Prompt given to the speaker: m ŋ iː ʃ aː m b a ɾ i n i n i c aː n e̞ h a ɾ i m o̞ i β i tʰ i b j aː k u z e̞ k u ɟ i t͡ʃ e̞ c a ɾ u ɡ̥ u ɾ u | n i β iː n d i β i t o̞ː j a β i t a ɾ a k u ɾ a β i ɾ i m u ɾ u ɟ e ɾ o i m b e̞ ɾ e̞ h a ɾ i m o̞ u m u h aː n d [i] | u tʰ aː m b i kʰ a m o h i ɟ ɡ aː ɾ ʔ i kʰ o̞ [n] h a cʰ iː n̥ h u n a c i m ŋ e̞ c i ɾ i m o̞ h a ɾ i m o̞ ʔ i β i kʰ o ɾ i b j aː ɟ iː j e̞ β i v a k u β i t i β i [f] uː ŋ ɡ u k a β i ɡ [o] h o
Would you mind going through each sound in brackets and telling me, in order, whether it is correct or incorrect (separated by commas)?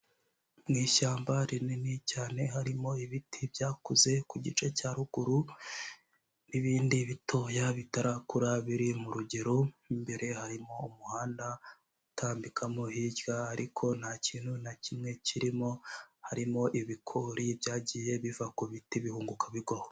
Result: incorrect, correct, incorrect, correct